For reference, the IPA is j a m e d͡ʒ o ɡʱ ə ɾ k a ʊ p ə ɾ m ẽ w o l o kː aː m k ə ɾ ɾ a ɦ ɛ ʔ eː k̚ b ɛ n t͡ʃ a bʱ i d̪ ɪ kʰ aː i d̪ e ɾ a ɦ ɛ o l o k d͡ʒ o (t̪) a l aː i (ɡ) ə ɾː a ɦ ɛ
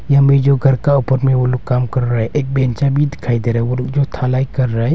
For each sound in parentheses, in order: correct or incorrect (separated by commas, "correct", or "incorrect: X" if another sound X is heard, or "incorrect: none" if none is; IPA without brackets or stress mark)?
incorrect: t̪ʰ, incorrect: k